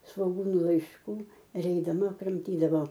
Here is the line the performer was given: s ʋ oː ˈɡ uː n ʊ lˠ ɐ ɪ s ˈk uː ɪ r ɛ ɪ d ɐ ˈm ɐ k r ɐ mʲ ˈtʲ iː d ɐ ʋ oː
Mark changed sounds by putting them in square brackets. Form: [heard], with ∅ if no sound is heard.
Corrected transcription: s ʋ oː ˈɡ uː n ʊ lˠ ɐ ɪ [ʃ] ˈk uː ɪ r ɛ ɪ d ɐ ˈm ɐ k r ɐ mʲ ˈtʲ iː d ɐ ʋ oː

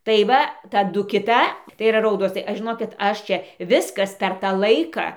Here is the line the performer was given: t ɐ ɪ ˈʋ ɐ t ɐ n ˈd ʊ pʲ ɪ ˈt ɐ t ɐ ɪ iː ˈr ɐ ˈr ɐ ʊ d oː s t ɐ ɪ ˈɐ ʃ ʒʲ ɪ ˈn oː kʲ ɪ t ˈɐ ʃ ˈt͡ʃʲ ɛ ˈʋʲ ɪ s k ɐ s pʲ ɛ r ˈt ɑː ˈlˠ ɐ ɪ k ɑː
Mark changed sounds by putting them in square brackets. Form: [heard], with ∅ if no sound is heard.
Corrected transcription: t ɐ ɪ ˈʋ ɐ t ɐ [∅] ˈd ʊ [kʲ] ɪ ˈt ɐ t ɐ ɪ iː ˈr ɐ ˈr ɐ ʊ d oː s t ɐ ɪ ˈɐ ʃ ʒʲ ɪ ˈn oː kʲ ɪ t ˈɐ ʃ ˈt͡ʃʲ ɛ ˈʋʲ ɪ s k ɐ s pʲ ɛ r ˈt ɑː ˈlˠ ɐ ɪ k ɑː

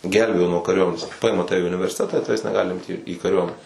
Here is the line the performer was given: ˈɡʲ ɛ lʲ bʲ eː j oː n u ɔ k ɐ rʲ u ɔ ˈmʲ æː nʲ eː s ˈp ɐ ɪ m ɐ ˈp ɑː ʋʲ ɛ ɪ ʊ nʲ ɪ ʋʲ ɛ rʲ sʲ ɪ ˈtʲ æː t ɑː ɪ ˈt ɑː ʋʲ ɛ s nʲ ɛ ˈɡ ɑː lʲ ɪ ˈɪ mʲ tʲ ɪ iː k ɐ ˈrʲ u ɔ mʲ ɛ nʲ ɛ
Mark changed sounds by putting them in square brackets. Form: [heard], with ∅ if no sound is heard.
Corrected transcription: ˈɡʲ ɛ lʲ bʲ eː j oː n u ɔ k ɐ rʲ u ɔ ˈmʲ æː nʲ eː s ˈp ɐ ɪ m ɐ [ˈt] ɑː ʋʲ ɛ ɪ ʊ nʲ ɪ ʋʲ ɛ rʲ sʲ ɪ ˈtʲ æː t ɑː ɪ ˈt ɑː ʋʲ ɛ s nʲ ɛ ˈɡ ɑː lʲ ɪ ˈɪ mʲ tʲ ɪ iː k ɐ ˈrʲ u ɔ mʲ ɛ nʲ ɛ

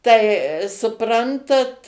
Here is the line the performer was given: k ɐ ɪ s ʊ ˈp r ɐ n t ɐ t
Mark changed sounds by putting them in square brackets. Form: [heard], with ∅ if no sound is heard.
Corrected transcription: [t] ɐ ɪ s ʊ ˈp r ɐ n t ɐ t

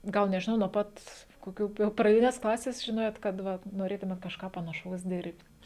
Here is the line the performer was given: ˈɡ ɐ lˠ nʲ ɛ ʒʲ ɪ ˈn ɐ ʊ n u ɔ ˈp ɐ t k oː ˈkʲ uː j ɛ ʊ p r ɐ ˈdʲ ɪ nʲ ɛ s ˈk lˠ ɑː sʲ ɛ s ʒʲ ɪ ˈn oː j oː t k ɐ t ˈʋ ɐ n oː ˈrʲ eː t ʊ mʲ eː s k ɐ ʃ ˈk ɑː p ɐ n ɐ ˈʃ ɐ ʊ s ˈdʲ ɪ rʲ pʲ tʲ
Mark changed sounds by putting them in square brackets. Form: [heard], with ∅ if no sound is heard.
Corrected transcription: ˈɡ ɐ lˠ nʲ ɛ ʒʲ ɪ ˈn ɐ ʊ n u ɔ ˈp ɐ t k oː ˈkʲ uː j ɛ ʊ p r ɐ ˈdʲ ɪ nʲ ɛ s ˈk lˠ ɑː sʲ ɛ s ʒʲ ɪ ˈn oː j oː t k ɐ t ˈʋ ɐ n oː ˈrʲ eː t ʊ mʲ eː [t] k ɐ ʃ ˈk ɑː p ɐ n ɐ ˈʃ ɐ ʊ s ˈdʲ ɪ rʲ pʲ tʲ

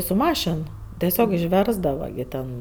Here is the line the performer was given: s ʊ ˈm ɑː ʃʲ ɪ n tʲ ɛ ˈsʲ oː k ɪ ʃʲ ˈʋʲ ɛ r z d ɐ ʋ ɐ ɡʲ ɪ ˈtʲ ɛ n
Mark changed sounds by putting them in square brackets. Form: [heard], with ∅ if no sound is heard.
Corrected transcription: s ʊ ˈm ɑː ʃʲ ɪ n tʲ ɛ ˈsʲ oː k ɪ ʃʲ ˈʋʲ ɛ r z d ɐ ʋ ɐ ɡʲ ɪ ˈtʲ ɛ n

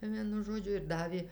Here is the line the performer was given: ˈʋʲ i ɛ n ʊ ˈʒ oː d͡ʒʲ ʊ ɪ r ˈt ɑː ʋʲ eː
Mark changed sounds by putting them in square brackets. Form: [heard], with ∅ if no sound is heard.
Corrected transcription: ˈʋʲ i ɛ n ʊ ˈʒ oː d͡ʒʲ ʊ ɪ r [ˈd] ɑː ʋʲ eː

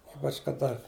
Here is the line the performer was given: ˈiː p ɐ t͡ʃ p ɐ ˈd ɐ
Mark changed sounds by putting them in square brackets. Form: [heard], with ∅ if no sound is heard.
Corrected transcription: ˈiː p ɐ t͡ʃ [k] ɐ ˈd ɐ

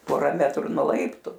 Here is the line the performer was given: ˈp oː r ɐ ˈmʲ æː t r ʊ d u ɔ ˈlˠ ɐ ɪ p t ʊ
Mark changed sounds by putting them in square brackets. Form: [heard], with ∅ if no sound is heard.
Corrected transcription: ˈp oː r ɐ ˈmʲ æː t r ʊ [n] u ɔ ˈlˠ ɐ ɪ p t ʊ

